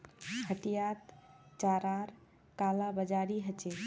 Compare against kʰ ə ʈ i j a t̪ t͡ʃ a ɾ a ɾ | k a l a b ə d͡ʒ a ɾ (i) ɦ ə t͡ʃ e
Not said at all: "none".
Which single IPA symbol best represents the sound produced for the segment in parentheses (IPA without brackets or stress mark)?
i